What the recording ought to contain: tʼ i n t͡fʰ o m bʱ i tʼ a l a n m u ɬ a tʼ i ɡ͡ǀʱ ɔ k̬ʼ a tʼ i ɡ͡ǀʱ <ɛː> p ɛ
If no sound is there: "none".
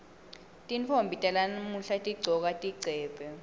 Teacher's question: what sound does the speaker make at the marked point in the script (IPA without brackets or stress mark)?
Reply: ɛː